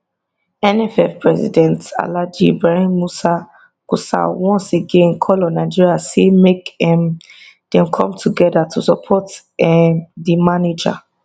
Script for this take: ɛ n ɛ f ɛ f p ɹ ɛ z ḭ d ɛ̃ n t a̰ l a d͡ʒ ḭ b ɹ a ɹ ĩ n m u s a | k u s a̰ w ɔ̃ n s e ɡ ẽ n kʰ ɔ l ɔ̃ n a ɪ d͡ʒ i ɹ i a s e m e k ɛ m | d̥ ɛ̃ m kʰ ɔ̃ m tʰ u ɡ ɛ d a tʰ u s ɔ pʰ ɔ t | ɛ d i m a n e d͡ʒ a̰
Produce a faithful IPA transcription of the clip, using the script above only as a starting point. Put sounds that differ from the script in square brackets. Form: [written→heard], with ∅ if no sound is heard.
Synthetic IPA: ɛ n ɛ f ɛ f p ɹ ɛ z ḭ d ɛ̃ n t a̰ l a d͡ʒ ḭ b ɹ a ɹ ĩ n m u s a | k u s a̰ w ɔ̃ n s e ɡ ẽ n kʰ ɔ l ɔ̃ n a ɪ d͡ʒ i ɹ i a s e m e k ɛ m | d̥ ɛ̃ m kʰ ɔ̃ m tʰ u ɡ ɛ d a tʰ u s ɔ pʰ ɔ t | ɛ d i m a n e d͡ʒ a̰

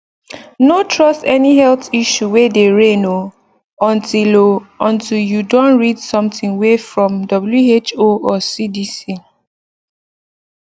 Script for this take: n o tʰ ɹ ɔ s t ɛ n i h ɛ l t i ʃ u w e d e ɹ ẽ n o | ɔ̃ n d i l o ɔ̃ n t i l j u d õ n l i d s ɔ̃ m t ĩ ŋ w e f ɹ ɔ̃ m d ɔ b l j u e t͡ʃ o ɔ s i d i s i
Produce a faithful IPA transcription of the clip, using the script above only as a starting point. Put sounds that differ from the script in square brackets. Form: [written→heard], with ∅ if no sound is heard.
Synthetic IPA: n o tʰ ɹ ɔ s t ɛ n i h ɛ l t i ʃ u w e d e ɹ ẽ n o | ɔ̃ n [d→t] i l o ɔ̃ n t i l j u d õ n [l→ɹ] i d s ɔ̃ m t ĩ ŋ w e f ɹ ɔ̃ m d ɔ b l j u e t͡ʃ o ɔ s i d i s i

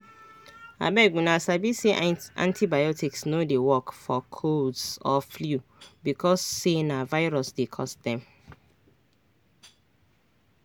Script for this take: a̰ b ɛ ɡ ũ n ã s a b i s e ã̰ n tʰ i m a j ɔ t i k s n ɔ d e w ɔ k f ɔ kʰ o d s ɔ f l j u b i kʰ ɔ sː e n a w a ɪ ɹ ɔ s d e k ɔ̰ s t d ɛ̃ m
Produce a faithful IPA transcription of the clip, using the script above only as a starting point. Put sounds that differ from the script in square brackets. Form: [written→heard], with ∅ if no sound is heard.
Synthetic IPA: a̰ b ɛ ɡ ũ n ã s a b i s e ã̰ n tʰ i [m→b] a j ɔ t i k s n [ɔ→o] d e w ɔ k f ɔ kʰ o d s ɔ f l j u b i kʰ ɔ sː e n a [w→v] a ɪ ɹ ɔ s d e [k→kʰ] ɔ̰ s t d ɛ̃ m

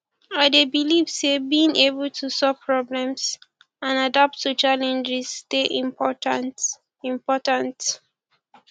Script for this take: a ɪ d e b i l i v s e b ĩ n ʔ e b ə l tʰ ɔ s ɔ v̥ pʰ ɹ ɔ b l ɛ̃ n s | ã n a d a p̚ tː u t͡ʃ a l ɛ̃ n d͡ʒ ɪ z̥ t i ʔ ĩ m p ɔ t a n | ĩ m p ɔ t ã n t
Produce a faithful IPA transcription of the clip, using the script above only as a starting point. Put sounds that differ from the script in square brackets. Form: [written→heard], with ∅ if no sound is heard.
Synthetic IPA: a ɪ d e b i l i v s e b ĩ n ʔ e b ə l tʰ [ɔ→u] s ɔ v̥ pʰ ɹ ɔ b l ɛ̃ [n→m] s | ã n a d a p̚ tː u t͡ʃ a l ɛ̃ n d͡ʒ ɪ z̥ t [i→e] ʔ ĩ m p ɔ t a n | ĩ m p ɔ t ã n t

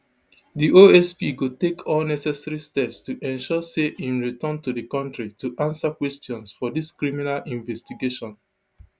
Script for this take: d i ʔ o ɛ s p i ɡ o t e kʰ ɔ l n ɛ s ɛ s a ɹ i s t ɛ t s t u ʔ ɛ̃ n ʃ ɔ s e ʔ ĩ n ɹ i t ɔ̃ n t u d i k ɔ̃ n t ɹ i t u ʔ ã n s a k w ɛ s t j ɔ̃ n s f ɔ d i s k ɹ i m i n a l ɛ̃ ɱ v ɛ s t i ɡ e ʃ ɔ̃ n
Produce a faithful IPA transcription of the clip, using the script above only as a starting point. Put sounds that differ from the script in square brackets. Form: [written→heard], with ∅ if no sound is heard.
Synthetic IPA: d i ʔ o ɛ s p i ɡ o t e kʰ ɔ l n ɛ s ɛ s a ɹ i s t ɛ [t→p] s t u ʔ ɛ̃ n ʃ ɔ s e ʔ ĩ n ɹ i t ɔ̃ n t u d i k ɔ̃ n t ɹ i t u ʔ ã n s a k w ɛ s t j ɔ̃ n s f ɔ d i s k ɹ i m i n a l [ɛ̃→ĩ] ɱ v ɛ s t i ɡ e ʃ ɔ̃ n

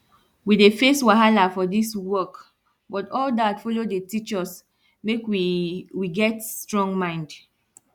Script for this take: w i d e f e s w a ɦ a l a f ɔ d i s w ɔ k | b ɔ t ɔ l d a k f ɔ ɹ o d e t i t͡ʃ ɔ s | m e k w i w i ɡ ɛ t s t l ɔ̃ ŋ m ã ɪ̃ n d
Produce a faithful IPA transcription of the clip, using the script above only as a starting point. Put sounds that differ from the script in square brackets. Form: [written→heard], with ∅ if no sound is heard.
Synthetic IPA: w i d e f e s w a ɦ a l a f ɔ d i s w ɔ k | b ɔ t ɔ l d a [k→t] f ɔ [ɹ→l] o d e t i t͡ʃ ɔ s | m e k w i w i ɡ ɛ t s t [l→ɹ] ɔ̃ ŋ m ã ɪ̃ n d

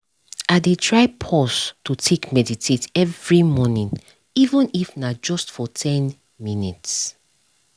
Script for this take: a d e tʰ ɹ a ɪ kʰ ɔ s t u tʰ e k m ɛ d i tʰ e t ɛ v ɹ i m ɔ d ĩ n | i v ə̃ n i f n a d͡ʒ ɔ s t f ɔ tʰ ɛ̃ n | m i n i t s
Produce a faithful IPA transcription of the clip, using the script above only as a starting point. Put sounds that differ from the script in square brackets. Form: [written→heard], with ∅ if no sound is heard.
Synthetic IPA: a d e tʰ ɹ a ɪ [kʰ→pʰ] ɔ s t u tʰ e k m ɛ d i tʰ e t ɛ v ɹ i m ɔ [d→n] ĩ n | i v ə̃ n i f n a d͡ʒ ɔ s t f ɔ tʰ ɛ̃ n | m i n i t s

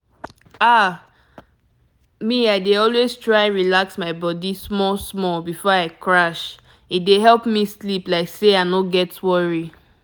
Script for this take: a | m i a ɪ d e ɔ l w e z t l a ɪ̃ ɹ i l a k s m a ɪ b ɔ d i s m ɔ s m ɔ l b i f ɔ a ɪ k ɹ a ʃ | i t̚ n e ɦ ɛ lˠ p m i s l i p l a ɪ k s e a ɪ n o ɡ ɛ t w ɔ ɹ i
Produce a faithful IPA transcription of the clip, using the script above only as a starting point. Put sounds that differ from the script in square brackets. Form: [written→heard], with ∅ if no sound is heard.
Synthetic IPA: a | m i a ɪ d e ɔ l w e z t [l→ɹ] a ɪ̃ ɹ i l a k s m a ɪ b ɔ d i s m ɔ s m ɔ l b i f ɔ a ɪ k ɹ a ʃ | i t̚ [n→d] e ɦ ɛ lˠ p m i s l i p l a ɪ k s e a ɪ n o ɡ ɛ t w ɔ ɹ i

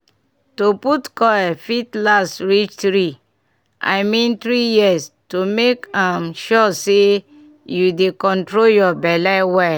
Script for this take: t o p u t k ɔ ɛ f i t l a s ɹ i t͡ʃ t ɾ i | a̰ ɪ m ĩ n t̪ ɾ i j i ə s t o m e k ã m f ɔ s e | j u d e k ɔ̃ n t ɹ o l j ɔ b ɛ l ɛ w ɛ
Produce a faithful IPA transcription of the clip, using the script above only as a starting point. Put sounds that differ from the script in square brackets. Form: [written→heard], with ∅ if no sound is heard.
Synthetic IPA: t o p u t k ɔ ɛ f i t l a s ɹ i t͡ʃ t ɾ i | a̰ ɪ m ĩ n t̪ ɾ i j i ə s t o m e k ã m [f→ʃ] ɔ s e | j u d e k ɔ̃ n t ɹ o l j ɔ b ɛ l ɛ w ɛ

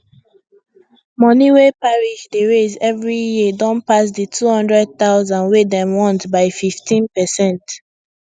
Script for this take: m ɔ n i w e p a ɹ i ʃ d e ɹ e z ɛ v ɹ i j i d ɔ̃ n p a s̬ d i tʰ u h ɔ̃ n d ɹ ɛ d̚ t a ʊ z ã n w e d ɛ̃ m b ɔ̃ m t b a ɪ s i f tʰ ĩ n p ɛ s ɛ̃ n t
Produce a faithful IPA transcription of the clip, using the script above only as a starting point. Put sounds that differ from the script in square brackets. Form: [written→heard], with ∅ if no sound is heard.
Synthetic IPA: m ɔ n i w e p a ɹ i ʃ d e ɹ e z ɛ v ɹ i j i d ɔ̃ n p a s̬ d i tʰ u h ɔ̃ n d ɹ ɛ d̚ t a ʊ z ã n w e d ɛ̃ m [b→w] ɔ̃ [m→n] t b a ɪ [s→f] i f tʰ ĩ n p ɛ s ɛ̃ n t

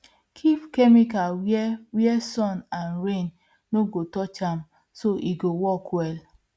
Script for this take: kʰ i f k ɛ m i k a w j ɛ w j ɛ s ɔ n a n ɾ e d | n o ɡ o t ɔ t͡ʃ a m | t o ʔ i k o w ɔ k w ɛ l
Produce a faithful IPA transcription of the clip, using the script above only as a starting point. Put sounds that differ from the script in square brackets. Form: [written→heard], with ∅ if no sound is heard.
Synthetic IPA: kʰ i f k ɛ m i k a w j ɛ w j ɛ s ɔ n a n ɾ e [d→n] | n o ɡ o t ɔ t͡ʃ a m | [t→s] o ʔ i [k→ɡ] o w ɔ k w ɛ l

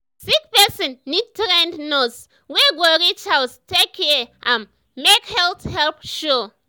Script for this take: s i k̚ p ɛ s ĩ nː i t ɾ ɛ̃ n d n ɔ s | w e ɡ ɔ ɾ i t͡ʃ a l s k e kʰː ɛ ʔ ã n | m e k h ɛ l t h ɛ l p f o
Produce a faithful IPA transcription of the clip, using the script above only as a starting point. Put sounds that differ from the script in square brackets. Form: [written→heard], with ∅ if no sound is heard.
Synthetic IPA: s i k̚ p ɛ s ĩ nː i t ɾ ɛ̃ n d n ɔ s | w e ɡ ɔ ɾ i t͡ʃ a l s [k→t] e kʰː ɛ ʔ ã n | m e k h ɛ l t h ɛ l p [f→ʃ] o

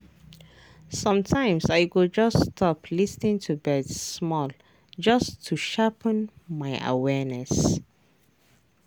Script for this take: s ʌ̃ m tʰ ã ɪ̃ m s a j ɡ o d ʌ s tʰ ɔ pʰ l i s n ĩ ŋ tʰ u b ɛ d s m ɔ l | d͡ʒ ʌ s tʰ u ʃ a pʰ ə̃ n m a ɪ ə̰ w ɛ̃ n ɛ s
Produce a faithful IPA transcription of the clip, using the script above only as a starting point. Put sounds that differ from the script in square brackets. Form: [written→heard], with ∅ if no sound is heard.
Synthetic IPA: s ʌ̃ m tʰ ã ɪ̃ m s a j ɡ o [d→d͡ʒ] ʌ s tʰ ɔ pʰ l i s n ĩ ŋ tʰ u b ɛ d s m ɔ l | d͡ʒ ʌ s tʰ u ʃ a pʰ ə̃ n m a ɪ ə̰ w [ɛ̃→ɛ] n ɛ s

